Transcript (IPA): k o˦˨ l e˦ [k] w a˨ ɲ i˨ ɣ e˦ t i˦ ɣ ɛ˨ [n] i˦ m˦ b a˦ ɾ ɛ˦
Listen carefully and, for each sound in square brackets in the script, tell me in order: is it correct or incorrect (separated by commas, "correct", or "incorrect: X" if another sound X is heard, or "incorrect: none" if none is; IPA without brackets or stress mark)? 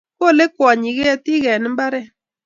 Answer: correct, correct